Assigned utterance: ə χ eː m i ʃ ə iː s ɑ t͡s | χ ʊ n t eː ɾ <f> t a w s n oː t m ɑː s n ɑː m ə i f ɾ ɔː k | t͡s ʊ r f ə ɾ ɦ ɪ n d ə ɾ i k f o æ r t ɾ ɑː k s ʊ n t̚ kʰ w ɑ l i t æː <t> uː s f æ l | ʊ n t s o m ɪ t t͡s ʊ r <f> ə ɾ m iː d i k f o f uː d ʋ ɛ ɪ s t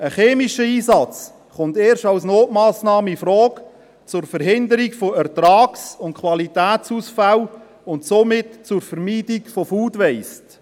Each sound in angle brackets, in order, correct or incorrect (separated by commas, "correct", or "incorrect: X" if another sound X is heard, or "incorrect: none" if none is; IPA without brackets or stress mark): incorrect: ʃ, incorrect: t͡s, correct